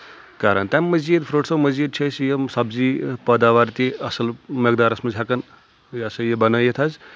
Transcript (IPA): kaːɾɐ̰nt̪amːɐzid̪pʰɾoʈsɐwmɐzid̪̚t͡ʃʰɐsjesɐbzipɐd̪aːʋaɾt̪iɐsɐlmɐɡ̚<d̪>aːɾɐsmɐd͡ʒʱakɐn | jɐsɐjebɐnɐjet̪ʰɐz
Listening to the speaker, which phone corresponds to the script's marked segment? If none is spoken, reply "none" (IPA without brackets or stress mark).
d̪